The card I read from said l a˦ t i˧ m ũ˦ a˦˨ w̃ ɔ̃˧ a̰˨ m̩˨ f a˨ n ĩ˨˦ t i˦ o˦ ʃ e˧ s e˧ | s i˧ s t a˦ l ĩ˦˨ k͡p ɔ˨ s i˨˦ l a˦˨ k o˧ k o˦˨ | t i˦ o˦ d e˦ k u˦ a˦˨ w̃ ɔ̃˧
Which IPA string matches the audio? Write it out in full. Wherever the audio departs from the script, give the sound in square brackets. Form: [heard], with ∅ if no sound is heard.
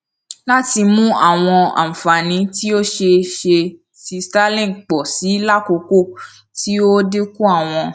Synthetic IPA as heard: l a˦ t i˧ m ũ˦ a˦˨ w̃ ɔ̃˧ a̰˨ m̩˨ f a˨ n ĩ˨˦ t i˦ o˦ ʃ e˧ [ʃ] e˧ | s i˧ s t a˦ l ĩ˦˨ k͡p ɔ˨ s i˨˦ l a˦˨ k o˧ k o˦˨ | t i˦ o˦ d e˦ k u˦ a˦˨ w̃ ɔ̃˧